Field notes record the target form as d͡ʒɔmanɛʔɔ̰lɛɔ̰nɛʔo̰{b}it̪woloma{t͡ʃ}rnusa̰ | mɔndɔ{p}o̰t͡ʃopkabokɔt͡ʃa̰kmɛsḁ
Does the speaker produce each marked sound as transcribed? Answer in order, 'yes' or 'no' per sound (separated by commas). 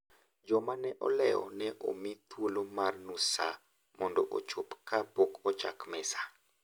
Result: no, no, no